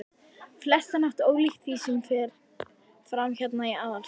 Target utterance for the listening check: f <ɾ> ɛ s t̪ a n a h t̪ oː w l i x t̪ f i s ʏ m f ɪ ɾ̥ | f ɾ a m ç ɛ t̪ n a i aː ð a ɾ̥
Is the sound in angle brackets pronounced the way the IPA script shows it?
no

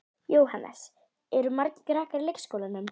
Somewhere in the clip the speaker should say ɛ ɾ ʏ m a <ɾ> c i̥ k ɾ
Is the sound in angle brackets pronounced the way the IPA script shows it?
yes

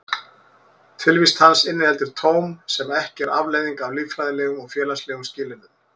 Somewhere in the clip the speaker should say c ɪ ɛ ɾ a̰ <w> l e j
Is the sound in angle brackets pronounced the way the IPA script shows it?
no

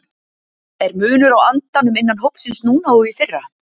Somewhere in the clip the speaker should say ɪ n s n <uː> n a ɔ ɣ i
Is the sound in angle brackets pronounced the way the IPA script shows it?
yes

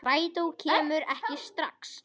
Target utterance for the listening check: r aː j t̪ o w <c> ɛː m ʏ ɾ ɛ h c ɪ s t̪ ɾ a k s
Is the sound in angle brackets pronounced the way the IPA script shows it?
no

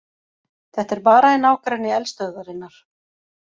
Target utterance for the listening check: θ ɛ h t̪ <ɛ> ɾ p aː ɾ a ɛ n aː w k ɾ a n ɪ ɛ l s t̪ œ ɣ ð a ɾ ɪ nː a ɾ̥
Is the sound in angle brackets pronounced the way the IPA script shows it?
yes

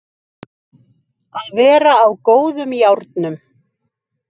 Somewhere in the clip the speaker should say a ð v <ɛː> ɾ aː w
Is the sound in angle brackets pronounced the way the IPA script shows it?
yes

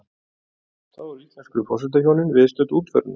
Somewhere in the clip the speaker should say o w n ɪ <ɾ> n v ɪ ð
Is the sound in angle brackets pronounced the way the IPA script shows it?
no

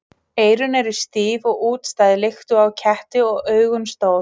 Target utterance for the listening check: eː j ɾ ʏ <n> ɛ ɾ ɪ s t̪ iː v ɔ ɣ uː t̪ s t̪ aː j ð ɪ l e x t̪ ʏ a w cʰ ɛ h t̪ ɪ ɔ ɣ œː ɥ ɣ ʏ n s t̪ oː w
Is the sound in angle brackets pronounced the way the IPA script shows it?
yes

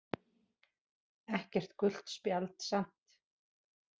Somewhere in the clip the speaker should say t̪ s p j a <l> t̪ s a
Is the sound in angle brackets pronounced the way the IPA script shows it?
yes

